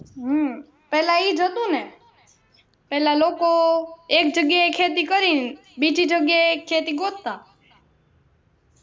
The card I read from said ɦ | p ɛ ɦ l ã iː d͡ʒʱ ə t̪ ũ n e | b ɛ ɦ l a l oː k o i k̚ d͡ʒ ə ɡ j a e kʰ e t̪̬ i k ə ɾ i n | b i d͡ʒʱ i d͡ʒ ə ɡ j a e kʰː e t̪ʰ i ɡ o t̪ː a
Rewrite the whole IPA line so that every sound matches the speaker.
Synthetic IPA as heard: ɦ | p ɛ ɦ l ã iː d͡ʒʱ ə t̪ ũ n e | p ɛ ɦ l a l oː k o e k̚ d͡ʒ ə ɡ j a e kʰ e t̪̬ i k ə ɾ i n | b i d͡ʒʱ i d͡ʒ ə ɡ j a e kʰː e t̪ i ɡ o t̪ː a